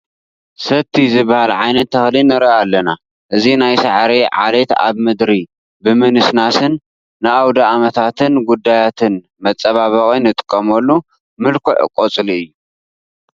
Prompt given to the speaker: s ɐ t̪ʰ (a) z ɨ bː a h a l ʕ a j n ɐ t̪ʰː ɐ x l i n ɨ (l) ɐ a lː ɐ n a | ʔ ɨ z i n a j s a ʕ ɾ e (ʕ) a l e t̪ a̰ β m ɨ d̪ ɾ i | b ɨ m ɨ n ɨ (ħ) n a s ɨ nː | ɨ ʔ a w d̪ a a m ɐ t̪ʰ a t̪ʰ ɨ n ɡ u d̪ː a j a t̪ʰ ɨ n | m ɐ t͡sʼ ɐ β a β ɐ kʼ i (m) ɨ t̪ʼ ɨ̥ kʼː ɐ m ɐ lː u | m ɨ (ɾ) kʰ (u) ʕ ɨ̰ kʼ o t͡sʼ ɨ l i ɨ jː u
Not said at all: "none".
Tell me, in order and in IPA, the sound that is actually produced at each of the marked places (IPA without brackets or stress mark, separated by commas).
i, ɾ, ʕ, s, n, l, o